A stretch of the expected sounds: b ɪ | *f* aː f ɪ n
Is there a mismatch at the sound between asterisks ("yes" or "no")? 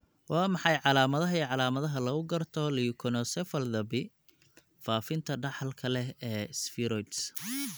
no